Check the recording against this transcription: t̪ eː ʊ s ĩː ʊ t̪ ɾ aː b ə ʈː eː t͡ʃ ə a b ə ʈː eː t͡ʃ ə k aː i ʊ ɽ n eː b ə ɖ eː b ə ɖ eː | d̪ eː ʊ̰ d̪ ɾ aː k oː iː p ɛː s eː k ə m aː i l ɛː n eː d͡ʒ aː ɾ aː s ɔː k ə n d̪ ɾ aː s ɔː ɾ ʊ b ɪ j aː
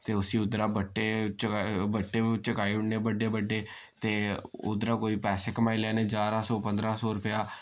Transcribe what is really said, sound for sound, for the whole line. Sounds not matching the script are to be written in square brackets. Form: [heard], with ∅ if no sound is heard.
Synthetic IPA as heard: t̪ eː ʊ s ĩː ʊ [d̪] ɾ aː b ə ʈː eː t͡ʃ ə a b ə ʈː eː t͡ʃ ə k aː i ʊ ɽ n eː b ə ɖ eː b ə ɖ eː | [t̪] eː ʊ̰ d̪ ɾ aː k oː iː p ɛː s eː k ə m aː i l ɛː n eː d͡ʒ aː ɾ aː s ɔː [p] ə n d̪ ɾ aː s ɔː ɾ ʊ [p] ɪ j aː